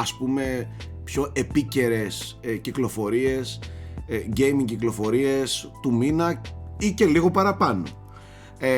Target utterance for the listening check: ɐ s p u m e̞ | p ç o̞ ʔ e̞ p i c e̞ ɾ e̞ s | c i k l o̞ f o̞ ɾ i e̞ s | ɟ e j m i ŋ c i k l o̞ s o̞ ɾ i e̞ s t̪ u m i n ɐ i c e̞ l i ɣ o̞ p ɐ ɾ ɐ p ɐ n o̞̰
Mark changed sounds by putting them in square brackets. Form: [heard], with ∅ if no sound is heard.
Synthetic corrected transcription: ɐ s p u m e̞ | p ç o̞ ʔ e̞ p i c e̞ ɾ e̞ s | c i k l o̞ f o̞ ɾ i e̞ s | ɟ e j m i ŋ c i k l o̞ [f] o̞ ɾ i e̞ s t̪ u m i n ɐ i c e̞ l i ɣ o̞ p ɐ ɾ ɐ p ɐ n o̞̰